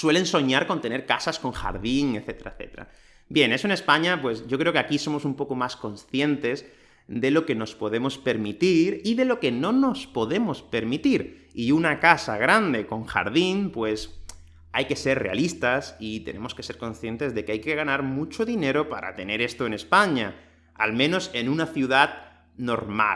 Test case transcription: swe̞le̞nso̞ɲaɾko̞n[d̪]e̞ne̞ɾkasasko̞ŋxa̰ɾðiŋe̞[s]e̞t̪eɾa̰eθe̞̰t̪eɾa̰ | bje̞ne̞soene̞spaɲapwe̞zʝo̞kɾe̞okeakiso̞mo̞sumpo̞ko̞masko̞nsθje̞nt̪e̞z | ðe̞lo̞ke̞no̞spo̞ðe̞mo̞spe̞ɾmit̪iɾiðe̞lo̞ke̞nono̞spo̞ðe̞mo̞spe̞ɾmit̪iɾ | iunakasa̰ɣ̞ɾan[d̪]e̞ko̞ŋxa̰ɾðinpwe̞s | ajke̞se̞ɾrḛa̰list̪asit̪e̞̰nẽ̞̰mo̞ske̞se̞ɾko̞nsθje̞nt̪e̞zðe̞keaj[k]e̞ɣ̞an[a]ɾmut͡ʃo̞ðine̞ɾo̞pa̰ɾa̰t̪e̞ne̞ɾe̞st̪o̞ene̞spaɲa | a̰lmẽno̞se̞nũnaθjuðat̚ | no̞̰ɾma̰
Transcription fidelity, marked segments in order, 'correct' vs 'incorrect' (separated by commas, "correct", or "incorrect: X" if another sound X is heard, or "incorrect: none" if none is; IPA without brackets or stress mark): incorrect: t̪, incorrect: θ, correct, correct, correct